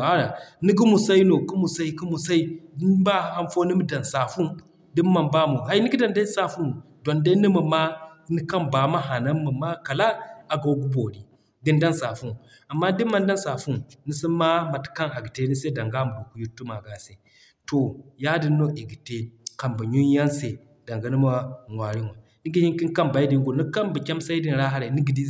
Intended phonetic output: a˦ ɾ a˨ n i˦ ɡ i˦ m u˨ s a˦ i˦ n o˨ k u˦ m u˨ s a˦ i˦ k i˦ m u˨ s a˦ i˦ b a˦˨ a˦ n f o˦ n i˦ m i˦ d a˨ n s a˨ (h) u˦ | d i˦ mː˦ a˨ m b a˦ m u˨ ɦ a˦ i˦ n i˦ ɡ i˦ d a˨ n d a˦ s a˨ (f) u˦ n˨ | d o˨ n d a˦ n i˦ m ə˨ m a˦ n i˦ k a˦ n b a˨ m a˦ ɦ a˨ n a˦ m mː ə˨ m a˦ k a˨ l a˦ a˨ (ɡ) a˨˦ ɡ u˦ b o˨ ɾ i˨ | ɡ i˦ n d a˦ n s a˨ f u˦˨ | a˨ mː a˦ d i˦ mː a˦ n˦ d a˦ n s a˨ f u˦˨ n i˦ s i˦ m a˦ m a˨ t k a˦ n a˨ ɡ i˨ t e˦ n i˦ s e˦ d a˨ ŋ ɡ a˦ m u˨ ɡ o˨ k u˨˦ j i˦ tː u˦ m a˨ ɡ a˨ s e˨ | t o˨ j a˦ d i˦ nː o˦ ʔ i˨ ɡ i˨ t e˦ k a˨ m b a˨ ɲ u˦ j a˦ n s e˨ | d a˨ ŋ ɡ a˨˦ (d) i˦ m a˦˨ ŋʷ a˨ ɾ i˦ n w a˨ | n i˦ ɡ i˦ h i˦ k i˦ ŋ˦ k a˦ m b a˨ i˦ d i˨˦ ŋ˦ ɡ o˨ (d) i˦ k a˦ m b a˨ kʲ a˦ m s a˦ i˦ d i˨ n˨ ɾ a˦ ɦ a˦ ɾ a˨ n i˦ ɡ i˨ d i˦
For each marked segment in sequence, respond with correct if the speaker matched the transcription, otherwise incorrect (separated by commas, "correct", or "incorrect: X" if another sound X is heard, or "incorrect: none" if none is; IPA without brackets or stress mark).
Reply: incorrect: f, correct, correct, incorrect: n, incorrect: n